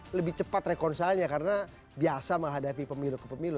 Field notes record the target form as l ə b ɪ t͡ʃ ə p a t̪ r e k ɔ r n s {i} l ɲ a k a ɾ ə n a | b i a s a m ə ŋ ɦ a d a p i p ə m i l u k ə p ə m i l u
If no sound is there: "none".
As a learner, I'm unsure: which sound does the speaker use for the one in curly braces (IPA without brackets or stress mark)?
a